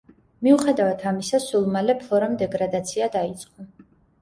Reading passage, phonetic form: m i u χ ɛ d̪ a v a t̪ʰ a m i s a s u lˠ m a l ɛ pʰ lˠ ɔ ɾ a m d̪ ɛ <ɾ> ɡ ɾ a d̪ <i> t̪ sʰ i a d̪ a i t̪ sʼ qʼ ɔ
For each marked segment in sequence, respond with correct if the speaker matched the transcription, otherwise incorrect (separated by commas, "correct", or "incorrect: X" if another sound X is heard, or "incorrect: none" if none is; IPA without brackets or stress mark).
incorrect: none, incorrect: a